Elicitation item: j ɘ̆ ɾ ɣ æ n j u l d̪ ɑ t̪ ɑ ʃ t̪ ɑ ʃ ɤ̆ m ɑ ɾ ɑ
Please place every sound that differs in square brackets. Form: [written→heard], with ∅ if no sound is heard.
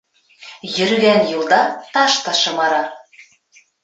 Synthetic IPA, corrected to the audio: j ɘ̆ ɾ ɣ æ n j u l d̪ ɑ t̪ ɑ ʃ t̪ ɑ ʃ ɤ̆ m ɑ ɾ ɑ